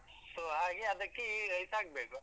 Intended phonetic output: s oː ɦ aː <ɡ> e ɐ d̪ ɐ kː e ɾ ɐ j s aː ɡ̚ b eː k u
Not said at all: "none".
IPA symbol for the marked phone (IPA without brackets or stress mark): ɡ